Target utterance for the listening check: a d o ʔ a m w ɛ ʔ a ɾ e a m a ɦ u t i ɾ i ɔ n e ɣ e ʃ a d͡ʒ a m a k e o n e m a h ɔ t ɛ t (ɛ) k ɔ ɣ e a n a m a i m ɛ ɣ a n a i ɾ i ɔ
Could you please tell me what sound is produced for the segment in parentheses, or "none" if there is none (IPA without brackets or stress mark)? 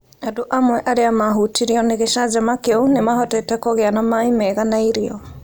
ɛ